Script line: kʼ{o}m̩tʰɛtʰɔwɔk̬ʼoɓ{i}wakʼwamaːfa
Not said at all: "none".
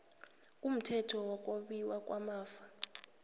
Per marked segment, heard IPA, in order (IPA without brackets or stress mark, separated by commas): u, i